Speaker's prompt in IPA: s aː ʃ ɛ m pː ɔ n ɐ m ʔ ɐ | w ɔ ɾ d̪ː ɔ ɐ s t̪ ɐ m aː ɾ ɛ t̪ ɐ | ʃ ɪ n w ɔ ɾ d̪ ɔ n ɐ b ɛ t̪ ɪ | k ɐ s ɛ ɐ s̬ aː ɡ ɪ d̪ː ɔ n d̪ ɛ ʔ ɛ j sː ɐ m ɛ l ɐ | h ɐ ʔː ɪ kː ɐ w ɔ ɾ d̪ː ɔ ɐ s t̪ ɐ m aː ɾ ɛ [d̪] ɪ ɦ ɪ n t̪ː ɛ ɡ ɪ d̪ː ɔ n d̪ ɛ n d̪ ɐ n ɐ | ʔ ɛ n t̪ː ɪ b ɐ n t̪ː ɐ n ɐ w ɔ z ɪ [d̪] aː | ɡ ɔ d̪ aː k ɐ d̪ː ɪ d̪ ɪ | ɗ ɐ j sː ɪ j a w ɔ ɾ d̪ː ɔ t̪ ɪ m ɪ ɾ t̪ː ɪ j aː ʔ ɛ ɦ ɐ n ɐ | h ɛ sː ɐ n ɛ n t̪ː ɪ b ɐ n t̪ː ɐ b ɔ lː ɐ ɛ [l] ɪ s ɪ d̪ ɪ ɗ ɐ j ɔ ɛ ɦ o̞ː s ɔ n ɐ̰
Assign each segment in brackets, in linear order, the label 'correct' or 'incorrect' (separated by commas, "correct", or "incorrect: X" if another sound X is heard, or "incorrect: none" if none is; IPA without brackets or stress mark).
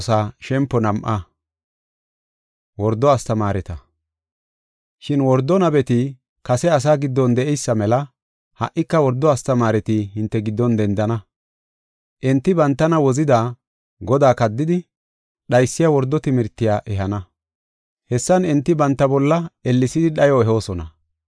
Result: incorrect: t̪, correct, incorrect: lː